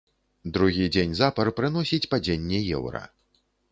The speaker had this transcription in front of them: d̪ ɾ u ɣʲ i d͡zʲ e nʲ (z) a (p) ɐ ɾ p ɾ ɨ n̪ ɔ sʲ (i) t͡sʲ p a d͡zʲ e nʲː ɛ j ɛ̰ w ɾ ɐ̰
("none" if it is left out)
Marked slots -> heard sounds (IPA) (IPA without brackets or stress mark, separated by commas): z, p, i